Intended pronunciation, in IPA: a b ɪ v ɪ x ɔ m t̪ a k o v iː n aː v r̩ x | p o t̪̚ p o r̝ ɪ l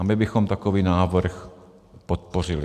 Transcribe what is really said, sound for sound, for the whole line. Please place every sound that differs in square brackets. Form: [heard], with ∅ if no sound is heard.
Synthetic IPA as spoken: a b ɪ [b] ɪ x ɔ m t̪ a k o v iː n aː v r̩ x | p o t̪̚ p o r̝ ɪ l